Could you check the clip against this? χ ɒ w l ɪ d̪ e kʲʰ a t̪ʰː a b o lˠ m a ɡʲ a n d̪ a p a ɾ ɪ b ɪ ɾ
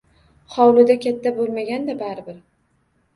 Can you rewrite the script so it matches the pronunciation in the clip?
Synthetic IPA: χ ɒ w l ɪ d̪ a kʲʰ a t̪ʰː a b o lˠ m a ɡʲ a n d̪ a b a ɾ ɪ b ɪ ɾ

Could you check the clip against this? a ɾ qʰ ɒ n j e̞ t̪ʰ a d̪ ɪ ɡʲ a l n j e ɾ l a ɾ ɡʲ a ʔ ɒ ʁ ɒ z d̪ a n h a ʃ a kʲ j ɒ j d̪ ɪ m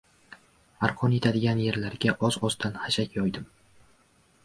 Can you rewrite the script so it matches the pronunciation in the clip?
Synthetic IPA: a ɾ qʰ ɒ n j e̞ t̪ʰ a d̪ ɪ ɡʲ a n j e ɾ l a ɾ ɡʲ a ʔ ɒ z ɒ z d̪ a n h a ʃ a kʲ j ɒ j d̪ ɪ m

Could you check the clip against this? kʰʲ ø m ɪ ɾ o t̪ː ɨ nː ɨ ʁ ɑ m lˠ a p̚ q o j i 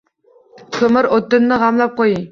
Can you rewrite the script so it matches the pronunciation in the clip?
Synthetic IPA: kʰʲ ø m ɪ ɾ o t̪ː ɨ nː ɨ ʁ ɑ m lˠ ɑ p̚ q o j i

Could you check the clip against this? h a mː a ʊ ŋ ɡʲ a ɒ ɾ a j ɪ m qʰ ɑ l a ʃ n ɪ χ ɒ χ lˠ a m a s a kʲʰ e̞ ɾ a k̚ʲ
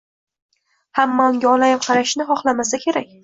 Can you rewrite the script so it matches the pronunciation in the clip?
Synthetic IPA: h a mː a ʊ ŋ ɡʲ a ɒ l a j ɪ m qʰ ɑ ɾ a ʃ n ɪ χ ɒ χ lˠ a m a s a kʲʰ e̞ ɾ a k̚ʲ

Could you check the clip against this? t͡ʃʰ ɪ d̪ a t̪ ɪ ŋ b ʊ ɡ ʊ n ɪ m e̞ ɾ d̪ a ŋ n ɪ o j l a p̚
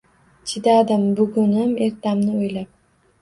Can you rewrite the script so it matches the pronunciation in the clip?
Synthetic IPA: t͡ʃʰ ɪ d̪ a d̪ ɪ m b ʊ ɡ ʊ n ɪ m e̞ ɾ t̪ a m n ɪ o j l a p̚

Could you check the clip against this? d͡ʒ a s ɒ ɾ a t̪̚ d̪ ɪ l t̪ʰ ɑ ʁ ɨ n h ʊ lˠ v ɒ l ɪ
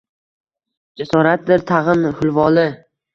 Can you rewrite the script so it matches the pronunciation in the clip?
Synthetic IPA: d͡ʒ a s ɒ ɾ a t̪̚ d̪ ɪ ɾ t̪ʰ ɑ ʁ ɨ n h ʊ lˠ v ɒ l ɪ

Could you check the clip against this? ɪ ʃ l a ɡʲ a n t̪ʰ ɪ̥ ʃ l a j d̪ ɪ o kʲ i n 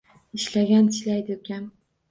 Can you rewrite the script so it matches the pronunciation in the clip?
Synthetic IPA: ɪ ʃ l a ɡʲ a n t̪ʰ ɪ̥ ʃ l a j d̪ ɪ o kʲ a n

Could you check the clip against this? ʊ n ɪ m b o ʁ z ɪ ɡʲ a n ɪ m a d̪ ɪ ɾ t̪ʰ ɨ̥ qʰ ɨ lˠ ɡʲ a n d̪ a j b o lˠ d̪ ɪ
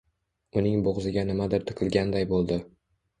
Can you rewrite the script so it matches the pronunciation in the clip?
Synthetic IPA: ʊ n ɪ ŋ b o ʁ z ɪ ɡʲ a n ɪ m a d̪ ɪ ɾ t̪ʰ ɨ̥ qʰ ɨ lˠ ɡʲ a n d̪ a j b o lˠ d̪ ɪ

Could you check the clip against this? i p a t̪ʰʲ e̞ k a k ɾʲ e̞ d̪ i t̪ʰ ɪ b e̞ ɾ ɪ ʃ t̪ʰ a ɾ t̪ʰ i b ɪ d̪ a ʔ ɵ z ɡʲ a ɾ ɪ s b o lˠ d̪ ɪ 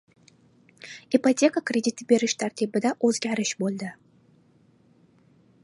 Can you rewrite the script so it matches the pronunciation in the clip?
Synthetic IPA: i p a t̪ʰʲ e̞ k a k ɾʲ e̞ d̪ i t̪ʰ ɪ b e̞ ɾ ɪ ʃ t̪ʰ a ɾ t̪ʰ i b ɪ d̪ a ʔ ɵ z ɡʲ a ɾ ɪ ʃ b o lˠ d̪ ɪ

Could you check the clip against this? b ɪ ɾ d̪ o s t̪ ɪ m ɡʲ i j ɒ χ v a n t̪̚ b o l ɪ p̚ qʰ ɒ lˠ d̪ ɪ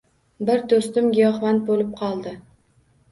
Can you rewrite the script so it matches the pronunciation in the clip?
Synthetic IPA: b ɪ ɾ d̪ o s t̪ ɪ m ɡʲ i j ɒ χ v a n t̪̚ b o l ɪ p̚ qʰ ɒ lˠ d̪ ɪ

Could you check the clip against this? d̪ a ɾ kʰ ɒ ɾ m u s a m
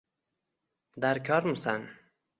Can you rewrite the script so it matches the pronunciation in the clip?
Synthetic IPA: d̪ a ɾ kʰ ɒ ɾ m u s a n

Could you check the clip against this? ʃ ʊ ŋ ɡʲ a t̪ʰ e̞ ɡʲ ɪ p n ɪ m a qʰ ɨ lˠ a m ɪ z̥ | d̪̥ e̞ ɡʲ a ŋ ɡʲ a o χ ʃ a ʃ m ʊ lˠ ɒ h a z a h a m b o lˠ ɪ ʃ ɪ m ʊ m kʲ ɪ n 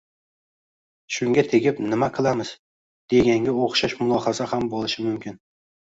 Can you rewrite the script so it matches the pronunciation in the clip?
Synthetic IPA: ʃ ʊ ŋ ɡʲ a t̪ʰ e̞ ɡʲ ɪ p n ɪ m a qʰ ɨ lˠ a m ɪ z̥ | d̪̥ e̞ ɡʲ a ŋ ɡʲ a o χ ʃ a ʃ m ʊ lˠ ɒ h a z a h a m b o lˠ ɪ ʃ ɪ m ʊ m kʲ ɪ n

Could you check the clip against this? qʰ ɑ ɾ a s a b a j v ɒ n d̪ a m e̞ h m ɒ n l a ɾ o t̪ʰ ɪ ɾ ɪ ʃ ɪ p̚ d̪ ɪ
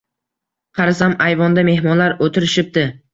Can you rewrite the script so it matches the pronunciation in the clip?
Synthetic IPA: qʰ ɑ ɾ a s a m a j v ɒ n d̪ a m e̞ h m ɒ n l a ɾ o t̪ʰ ɪ ɾ ɪ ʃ ɪ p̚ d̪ ɪ

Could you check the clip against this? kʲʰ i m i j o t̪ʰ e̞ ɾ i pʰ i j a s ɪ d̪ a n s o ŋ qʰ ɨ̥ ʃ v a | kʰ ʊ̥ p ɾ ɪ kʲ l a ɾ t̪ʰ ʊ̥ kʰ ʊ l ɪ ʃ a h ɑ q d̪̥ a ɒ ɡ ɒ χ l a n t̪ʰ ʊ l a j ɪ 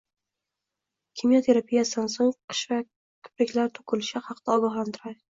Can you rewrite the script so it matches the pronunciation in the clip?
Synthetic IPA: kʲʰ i m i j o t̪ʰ e̞ ɾ a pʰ i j a s ɪ d̪ a n s o ŋ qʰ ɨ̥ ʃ v a | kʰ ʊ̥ p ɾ ɪ kʲ l a ɾ t̪ʰ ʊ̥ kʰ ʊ l ɪ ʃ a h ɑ q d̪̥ a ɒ ɡ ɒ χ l a n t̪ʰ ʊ ɾ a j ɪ

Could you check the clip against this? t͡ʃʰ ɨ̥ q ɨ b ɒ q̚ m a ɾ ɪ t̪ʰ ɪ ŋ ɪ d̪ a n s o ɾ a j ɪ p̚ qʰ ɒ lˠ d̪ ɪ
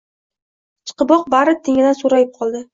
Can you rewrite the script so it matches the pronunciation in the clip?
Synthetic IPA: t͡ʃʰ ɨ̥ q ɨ b ɒ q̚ b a ɾ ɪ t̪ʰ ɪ ŋ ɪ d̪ a n s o ɾ a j ɪ p̚ qʰ ɒ lˠ d̪ ɪ

